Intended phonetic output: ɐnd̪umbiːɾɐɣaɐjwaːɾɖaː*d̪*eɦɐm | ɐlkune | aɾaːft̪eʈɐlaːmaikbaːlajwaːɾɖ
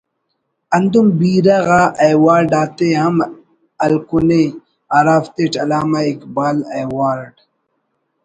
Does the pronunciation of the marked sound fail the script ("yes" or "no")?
yes